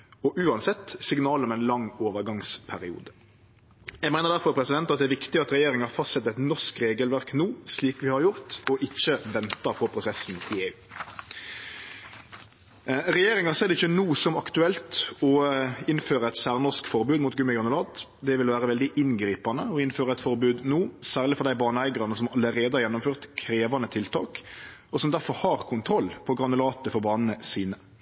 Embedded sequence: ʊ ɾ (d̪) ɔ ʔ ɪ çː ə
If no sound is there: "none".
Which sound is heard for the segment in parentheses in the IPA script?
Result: t̪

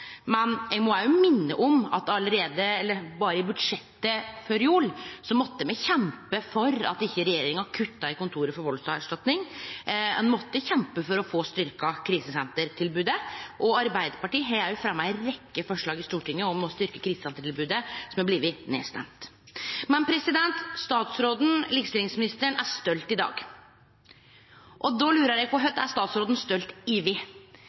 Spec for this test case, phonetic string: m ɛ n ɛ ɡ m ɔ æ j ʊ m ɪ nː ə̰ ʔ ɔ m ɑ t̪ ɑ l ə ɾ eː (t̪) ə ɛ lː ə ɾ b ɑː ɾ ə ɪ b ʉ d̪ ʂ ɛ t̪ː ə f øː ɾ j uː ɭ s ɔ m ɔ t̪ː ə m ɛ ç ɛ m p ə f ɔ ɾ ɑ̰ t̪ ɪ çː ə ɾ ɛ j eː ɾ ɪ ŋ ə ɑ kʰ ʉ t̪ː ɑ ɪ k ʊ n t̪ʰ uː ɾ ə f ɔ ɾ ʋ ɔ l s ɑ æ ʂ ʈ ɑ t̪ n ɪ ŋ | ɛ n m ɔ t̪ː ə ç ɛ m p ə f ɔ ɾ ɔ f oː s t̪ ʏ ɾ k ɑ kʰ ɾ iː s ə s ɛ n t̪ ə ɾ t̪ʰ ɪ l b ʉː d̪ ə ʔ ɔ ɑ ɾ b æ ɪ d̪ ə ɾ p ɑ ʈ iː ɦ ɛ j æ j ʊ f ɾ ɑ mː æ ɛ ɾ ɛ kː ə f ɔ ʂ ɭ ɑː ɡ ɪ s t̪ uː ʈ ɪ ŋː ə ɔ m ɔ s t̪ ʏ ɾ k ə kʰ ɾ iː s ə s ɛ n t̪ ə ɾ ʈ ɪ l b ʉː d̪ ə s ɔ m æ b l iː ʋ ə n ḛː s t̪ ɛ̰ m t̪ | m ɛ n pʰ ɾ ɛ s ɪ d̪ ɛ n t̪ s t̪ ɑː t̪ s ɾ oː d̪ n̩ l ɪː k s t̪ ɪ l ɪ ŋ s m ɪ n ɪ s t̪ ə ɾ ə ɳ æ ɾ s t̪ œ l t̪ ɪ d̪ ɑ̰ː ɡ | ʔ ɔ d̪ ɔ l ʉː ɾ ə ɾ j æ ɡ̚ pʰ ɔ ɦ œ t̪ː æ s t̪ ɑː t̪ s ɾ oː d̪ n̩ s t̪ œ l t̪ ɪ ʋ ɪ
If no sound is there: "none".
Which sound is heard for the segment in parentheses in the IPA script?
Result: d̪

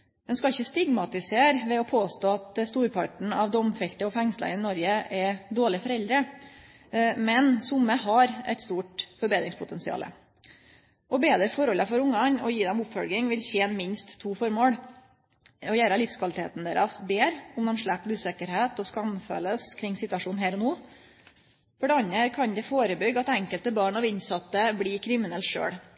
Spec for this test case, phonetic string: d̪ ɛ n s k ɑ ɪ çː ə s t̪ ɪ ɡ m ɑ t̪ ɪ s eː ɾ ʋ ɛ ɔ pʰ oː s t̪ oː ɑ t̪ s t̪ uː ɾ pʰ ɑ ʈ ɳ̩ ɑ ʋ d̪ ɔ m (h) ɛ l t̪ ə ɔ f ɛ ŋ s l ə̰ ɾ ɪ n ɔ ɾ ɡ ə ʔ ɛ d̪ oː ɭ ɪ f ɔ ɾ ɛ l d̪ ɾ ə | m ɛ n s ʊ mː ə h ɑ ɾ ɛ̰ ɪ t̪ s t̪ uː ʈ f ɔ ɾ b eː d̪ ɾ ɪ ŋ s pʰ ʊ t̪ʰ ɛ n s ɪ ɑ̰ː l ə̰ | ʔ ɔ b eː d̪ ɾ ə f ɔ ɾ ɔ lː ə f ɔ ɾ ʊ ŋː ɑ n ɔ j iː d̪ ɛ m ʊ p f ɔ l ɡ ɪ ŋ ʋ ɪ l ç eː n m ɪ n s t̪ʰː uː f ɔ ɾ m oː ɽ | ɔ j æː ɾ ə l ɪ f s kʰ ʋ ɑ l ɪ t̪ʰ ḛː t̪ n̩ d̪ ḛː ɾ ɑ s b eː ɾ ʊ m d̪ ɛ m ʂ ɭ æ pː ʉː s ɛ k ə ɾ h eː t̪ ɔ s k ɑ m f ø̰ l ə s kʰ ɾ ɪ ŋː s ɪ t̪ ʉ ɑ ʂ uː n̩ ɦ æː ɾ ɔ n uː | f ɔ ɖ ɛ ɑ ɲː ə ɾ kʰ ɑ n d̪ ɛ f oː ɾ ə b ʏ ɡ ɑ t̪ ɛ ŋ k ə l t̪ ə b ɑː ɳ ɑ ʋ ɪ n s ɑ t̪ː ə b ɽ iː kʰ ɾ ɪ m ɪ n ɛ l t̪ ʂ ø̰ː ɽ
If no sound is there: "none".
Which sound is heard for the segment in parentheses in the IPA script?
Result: f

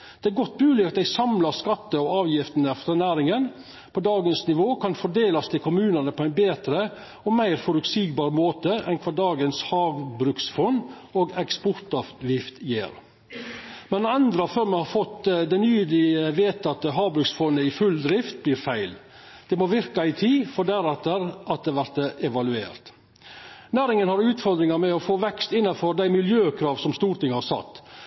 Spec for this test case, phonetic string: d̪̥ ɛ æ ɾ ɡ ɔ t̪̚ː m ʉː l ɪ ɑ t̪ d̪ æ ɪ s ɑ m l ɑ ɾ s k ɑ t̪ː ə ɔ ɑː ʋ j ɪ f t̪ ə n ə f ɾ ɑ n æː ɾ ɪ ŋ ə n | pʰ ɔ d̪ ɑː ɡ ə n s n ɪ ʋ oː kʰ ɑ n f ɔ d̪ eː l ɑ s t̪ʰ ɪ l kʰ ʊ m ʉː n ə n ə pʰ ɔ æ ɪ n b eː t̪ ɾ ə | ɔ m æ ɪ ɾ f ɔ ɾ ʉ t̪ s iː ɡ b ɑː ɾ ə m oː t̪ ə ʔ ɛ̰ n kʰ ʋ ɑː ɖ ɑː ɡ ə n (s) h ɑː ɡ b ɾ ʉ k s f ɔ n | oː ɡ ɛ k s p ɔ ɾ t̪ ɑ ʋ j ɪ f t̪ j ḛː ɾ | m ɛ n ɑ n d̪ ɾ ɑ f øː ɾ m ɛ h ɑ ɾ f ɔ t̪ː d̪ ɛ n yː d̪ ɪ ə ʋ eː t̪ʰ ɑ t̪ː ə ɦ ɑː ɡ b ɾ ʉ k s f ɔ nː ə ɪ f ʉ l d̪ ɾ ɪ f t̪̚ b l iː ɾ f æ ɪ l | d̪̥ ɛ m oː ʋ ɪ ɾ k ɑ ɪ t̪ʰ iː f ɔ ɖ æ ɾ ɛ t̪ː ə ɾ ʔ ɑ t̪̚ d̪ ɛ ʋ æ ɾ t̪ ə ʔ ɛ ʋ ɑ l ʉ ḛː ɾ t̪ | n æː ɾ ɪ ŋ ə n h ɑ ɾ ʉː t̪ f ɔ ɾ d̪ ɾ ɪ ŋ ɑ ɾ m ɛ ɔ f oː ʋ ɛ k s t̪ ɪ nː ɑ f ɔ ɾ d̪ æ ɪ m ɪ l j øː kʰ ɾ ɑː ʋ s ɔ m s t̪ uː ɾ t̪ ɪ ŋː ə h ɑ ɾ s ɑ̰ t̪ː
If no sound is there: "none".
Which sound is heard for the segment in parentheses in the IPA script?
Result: s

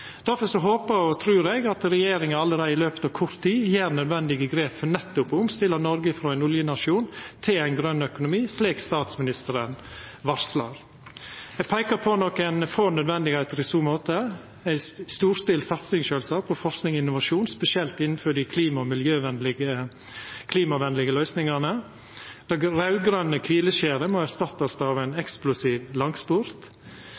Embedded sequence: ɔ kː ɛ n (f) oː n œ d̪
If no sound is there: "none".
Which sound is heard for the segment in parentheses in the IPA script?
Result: f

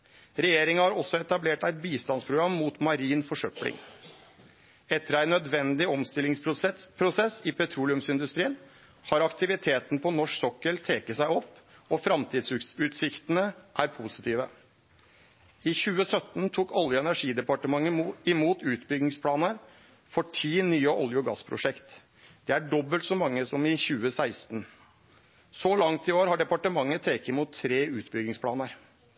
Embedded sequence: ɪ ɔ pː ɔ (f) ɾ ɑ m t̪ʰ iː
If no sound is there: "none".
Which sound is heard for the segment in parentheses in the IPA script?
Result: f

